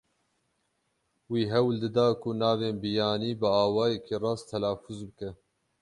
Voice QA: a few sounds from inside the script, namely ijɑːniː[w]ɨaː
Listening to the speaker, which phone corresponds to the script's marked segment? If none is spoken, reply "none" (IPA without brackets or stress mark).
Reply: b